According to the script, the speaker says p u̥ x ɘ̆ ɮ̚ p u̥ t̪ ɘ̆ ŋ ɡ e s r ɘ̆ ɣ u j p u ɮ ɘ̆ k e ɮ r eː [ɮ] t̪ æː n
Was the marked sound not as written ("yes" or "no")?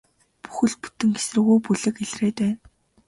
yes